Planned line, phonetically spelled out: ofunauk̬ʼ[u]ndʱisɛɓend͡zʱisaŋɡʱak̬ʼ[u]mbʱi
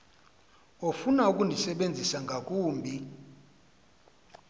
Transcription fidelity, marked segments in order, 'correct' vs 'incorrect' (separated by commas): correct, incorrect